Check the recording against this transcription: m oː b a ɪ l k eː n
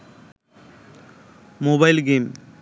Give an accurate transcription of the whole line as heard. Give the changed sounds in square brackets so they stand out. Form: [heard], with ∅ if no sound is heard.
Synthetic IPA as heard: m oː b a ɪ l [ɡ] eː [m]